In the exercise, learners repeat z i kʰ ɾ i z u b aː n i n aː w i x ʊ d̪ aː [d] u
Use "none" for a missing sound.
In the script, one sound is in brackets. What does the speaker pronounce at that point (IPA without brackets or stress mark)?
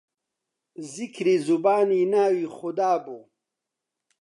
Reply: b